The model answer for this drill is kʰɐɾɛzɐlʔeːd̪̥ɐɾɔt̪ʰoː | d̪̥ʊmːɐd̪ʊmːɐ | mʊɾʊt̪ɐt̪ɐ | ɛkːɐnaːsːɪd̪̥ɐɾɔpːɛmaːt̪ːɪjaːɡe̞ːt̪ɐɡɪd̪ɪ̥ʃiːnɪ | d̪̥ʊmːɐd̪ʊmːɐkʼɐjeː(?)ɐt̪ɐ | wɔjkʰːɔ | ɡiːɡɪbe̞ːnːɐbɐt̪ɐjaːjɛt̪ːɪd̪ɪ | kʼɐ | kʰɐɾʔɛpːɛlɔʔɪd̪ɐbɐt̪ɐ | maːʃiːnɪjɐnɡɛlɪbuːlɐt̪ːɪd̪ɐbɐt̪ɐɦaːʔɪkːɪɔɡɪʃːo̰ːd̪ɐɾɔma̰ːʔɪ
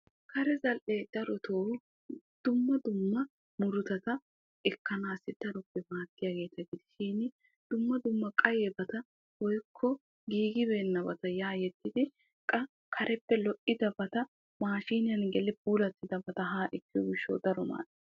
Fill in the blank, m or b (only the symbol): b